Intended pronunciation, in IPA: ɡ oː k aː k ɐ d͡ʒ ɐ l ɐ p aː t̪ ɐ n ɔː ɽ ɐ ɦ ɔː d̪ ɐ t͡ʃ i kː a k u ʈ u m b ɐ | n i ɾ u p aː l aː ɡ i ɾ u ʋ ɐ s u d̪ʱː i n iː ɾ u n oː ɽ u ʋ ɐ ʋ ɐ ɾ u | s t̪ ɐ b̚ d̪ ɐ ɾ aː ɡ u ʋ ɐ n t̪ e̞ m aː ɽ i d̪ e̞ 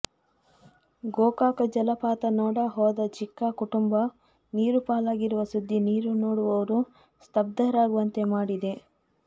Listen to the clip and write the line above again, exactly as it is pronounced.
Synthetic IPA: ɡ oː k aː k ɐ d͡ʒ ɐ l ɐ p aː t̪ ɐ n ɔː ɽ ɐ ɦ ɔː d̪ ɐ t͡ʃ i kː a k u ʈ u m b ɐ | n iː ɾ u p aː l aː ɡ i ɾ u ʋ ɐ s u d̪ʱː i n iː ɾ u n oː ɽ u ʋ ɐ ʋ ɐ ɾ u | s t̪ ɐ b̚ d̪ ɐ ɾ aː ɡ u ʋ ɐ n t̪ e̞ m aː ɽ i d̪ e̞